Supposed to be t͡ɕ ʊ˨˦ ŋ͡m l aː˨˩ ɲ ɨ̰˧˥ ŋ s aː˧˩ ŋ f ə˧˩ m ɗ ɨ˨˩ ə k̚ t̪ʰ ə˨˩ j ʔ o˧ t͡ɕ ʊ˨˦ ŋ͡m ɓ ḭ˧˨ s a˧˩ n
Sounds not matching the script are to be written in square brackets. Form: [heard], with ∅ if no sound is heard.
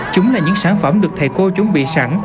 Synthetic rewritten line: t͡ɕ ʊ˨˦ ŋ͡m l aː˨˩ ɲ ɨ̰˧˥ ŋ s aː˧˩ [n] f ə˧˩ m ɗ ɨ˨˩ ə k̚ t̪ʰ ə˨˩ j [k] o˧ t͡ɕ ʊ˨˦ ŋ͡m ɓ ḭ˧˨ s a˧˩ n